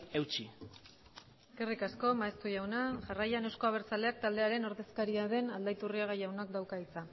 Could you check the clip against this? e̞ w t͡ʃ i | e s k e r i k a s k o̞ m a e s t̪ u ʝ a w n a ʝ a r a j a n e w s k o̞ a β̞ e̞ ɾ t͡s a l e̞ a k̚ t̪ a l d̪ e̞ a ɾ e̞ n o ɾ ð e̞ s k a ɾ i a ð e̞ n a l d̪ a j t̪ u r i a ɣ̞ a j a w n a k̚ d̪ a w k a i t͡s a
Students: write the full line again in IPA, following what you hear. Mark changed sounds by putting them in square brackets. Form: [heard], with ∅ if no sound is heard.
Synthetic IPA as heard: e̞ w t͡ʃ i | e s k e r i k a s k o̞ m a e s t̪ u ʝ a w n a ʝ a r a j a n e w s k o̞ a β̞ e̞ ɾ t͡s a l e̞ a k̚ t̪ a l d̪ e̞ a ɾ e̞ n o ɾ ð e̞ s k a ɾ i a ð e̞ n a l d̪ a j t̪ u r i a ɣ̞ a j a w n a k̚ d̪ a w k a i t͡s a